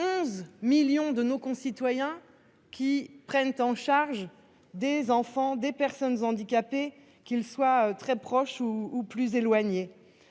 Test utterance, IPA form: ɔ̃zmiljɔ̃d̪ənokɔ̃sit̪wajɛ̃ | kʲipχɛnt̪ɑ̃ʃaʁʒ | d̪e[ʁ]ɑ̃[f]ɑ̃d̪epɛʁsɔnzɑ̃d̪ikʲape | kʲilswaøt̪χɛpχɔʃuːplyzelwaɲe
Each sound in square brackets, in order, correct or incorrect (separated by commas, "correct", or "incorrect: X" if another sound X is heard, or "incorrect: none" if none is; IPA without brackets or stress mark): incorrect: z, correct